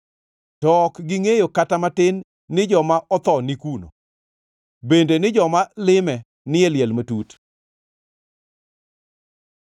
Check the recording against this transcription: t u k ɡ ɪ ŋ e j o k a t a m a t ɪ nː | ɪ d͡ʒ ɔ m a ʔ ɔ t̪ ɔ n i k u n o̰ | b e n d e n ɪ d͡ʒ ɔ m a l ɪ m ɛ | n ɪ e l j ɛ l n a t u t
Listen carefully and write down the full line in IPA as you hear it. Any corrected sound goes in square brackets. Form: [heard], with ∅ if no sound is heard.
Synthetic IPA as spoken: t [ɔ] k ɡ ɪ ŋ e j o k a t a m a t ɪ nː | ɪ d͡ʒ ɔ m a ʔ ɔ t̪ ɔ n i k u n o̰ | b e n d e n ɪ d͡ʒ ɔ m a l ɪ m ɛ | n ɪ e l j ɛ l [m] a t u t